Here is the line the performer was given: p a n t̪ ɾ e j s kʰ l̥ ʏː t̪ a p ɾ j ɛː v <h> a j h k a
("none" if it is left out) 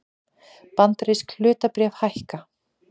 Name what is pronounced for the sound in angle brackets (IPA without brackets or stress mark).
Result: h